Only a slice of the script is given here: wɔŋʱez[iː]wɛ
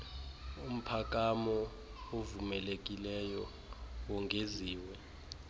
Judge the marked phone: correct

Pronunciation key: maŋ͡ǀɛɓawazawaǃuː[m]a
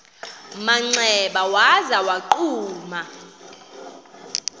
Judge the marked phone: correct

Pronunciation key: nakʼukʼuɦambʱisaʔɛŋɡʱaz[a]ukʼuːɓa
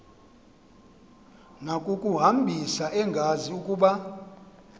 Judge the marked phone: incorrect: i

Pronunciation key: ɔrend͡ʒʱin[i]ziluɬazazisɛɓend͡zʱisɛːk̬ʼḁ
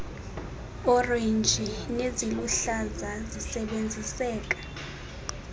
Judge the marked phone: incorrect: e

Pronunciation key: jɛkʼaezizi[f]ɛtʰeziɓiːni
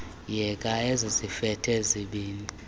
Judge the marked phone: correct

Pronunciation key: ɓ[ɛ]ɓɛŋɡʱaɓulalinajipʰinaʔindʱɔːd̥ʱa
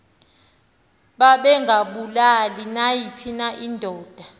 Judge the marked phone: incorrect: a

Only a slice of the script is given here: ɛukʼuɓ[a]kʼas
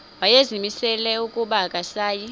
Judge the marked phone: correct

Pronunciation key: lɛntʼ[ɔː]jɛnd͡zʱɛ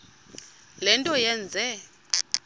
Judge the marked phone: incorrect: ɔ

